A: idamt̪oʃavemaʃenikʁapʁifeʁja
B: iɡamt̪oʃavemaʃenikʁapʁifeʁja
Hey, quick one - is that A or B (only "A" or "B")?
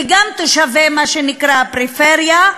B